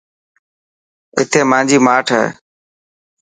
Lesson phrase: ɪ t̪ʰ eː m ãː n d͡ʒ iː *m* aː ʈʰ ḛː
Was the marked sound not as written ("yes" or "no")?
no